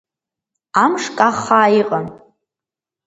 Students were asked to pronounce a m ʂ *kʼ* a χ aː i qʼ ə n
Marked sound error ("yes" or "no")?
no